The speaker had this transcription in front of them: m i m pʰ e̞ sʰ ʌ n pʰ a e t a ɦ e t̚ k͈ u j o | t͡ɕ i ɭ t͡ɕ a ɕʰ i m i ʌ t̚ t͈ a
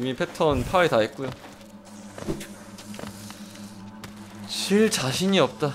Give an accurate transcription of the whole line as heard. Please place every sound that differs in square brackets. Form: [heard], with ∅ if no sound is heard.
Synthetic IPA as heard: m i [∅] pʰ e̞ [tʰ] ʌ n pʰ a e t a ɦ e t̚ k͈ u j o | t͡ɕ i ɭ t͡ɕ a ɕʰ i [ɲ] i ʌ [p̚] t͈ a